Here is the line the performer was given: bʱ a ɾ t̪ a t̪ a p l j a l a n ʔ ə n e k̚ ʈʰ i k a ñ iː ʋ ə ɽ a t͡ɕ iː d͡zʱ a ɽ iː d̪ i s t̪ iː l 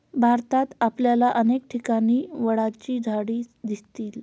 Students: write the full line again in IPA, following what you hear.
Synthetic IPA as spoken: bʱ a ɾ t̪ a t̪ a p l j a l a ʔ ə n e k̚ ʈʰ i k a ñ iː ʋ ə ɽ a t͡ɕ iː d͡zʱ a ɽ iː d̪ i s t̪ iː l